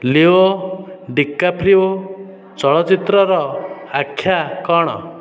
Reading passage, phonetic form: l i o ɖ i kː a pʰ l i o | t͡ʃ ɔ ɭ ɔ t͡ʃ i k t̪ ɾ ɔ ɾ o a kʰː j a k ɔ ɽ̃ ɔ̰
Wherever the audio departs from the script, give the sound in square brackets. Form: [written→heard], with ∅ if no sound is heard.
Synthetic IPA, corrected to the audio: l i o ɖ i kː a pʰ [l→ɾ] i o | t͡ʃ ɔ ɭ ɔ t͡ʃ i [k→∅] t̪ ɾ ɔ ɾ [o→ɔ] a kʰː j a k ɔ ɽ̃ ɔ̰